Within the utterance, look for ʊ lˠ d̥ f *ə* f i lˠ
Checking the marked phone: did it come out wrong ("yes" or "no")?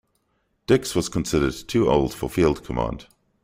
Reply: no